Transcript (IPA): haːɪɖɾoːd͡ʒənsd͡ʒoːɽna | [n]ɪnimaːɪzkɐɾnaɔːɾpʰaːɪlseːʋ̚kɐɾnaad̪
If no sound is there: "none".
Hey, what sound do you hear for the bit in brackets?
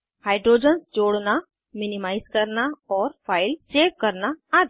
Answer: m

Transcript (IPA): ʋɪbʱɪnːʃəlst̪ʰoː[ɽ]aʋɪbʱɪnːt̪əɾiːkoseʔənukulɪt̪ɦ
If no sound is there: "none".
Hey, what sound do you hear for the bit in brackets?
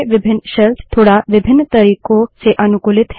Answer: ɽ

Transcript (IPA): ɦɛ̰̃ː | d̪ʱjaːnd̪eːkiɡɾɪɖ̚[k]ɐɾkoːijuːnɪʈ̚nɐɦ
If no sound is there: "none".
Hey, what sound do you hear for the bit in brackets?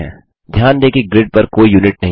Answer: p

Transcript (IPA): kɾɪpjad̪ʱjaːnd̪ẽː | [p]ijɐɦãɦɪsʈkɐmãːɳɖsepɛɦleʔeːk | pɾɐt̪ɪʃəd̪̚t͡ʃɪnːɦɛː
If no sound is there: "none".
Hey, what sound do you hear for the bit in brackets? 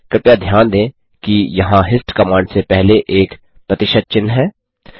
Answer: k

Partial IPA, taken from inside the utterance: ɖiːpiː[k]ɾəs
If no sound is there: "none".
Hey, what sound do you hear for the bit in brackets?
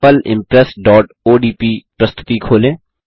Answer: p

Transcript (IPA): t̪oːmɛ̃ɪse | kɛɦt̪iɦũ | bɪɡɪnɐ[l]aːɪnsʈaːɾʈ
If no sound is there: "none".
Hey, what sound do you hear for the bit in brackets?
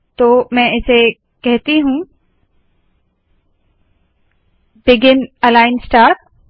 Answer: l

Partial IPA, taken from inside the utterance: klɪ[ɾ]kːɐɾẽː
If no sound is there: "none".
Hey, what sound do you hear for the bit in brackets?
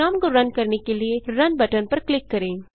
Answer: none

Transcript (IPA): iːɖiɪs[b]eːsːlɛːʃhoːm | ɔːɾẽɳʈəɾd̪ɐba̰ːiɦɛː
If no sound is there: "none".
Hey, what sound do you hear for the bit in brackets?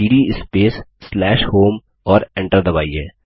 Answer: p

